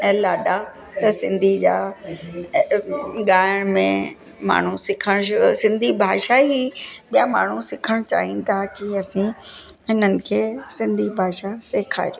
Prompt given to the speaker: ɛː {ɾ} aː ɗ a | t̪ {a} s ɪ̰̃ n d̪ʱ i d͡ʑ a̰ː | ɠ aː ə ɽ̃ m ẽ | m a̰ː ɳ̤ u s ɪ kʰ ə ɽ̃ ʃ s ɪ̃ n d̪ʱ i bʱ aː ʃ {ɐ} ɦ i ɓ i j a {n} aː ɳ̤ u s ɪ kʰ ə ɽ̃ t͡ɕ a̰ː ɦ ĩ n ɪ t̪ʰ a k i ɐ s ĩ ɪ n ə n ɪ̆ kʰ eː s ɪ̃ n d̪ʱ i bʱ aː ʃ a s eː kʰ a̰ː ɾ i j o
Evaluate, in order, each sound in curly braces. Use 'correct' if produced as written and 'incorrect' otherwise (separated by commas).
incorrect, incorrect, incorrect, incorrect